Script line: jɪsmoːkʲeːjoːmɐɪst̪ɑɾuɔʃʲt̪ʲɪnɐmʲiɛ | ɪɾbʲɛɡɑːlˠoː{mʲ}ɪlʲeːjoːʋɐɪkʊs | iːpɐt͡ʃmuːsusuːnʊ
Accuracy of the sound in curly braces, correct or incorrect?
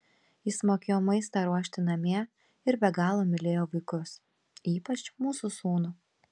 correct